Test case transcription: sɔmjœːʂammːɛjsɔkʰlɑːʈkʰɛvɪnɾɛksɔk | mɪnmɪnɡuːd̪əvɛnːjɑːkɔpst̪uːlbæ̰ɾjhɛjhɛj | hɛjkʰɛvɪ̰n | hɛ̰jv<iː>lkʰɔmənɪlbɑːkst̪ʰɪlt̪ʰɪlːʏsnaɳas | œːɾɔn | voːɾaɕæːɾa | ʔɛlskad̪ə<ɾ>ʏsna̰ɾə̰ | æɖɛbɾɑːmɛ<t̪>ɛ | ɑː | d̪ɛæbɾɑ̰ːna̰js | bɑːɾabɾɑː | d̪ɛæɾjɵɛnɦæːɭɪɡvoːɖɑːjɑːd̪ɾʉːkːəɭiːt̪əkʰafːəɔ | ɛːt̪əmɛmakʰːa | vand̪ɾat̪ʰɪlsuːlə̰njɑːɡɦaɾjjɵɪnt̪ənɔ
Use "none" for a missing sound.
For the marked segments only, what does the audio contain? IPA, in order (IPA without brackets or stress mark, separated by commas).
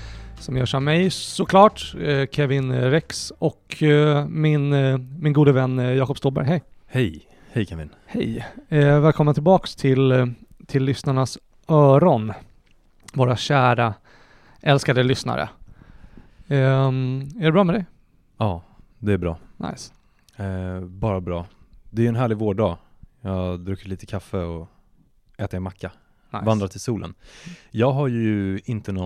ɛː, l, d̪